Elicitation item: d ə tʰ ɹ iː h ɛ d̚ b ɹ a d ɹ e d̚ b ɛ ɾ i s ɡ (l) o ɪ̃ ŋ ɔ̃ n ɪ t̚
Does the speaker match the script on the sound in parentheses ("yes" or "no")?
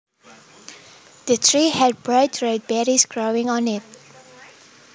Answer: no